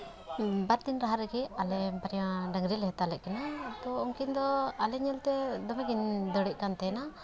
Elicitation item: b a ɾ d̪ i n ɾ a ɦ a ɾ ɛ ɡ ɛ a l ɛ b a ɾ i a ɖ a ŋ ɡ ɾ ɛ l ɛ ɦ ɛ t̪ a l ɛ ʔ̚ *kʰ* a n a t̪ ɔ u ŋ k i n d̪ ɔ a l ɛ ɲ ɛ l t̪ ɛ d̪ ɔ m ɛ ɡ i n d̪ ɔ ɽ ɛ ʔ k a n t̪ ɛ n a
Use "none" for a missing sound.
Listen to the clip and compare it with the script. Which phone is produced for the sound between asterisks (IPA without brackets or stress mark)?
k